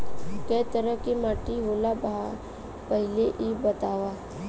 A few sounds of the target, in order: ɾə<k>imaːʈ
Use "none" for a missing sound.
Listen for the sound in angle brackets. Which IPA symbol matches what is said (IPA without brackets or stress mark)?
k